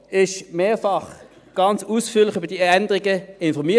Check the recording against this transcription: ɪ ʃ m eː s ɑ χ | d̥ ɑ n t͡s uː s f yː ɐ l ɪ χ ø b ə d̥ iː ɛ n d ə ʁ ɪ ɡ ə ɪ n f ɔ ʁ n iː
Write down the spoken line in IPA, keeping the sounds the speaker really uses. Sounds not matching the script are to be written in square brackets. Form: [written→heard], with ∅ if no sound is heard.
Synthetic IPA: ɪ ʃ m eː [s→f] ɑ χ | [d̥→ɡ̥] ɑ n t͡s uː s f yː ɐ l ɪ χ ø b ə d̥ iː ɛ n d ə ʁ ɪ ɡ ə ɪ n f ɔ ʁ [n→m] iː